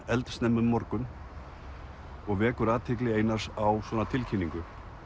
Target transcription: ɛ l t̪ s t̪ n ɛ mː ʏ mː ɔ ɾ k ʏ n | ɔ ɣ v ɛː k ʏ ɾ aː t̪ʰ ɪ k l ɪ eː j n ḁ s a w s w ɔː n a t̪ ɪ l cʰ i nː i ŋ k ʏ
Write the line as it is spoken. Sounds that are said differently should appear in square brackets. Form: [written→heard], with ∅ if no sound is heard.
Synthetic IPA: ɛ l t̪ s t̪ n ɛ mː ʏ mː ɔ ɾ k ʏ n | ɔ ɣ v ɛː k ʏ ɾ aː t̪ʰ ɪ k l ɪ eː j n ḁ s a w s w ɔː n a [t̪→t̪ʰ] ɪ l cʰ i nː i ŋ k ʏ